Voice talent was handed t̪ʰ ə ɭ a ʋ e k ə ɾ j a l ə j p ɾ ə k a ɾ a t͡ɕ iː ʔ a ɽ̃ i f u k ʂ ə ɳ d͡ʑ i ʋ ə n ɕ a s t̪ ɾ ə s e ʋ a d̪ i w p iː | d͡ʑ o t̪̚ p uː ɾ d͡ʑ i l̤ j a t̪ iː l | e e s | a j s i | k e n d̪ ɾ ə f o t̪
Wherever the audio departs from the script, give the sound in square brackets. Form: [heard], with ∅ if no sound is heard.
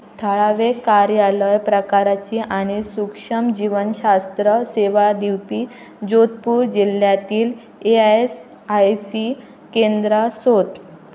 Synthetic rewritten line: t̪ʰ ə ɭ a ʋ e k [a] ɾ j a l ə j p ɾ ə k a ɾ a t͡ɕ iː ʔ a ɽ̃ i [s] u k ʂ ə [m] d͡ʑ i ʋ ə n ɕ a s t̪ ɾ ə s e ʋ a d̪ i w p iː | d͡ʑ o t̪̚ p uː ɾ d͡ʑ i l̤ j a t̪ iː l | e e s | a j s i | k e n d̪ ɾ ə [s] o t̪